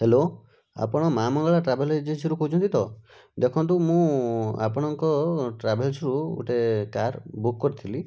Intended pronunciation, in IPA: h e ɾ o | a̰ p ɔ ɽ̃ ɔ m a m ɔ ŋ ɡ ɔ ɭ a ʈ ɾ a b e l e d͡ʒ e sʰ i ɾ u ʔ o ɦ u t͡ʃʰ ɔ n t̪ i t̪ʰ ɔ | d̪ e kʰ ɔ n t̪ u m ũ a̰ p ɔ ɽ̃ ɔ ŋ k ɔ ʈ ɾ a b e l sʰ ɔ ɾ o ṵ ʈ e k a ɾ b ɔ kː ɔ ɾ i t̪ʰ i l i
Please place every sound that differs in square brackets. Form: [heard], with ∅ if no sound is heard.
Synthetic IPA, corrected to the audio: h e [l] o | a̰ p ɔ ɽ̃ ɔ m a m ɔ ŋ ɡ ɔ ɭ a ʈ ɾ a b e l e d͡ʒ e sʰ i ɾ u [k] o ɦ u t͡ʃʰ ɔ n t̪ i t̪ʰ ɔ | d̪ e kʰ ɔ n t̪ u m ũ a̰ p ɔ ɽ̃ ɔ ŋ k ɔ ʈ ɾ a b e l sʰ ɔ ɾ [u] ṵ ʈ e k a ɾ b [u] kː ɔ ɾ i t̪ʰ i l i